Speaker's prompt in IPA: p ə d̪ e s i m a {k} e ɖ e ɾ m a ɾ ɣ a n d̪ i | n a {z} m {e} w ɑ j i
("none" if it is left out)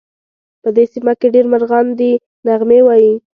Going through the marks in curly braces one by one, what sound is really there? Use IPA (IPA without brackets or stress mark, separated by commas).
k, ɣ, e